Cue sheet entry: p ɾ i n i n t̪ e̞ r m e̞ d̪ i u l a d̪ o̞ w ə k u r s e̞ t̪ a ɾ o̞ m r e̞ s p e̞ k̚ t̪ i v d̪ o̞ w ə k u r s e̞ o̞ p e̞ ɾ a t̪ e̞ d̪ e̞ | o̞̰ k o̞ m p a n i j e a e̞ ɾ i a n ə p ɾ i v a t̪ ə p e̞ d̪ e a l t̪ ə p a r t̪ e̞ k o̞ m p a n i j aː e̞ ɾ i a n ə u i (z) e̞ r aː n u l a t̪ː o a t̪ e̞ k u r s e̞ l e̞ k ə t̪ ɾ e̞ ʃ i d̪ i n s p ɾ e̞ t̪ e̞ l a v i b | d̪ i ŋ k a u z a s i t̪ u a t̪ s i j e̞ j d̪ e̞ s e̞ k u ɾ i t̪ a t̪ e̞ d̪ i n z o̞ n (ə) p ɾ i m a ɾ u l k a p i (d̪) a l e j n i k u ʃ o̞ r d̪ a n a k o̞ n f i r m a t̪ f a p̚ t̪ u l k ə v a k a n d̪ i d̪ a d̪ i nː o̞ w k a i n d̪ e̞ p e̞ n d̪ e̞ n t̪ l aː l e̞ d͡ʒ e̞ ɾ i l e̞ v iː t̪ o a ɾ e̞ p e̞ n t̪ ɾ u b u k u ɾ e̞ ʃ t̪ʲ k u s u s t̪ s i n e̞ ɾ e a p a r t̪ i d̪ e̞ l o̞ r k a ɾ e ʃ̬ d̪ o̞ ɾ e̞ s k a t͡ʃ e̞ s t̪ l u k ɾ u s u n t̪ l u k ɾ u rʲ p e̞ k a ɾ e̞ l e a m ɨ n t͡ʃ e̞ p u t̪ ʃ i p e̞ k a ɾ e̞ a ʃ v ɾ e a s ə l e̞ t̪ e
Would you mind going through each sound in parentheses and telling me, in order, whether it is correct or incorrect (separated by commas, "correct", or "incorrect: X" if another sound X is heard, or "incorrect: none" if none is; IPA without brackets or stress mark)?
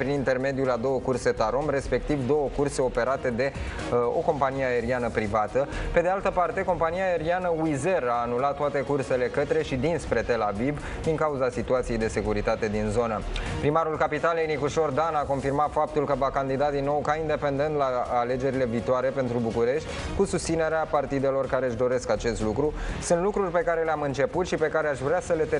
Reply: correct, correct, incorrect: t̪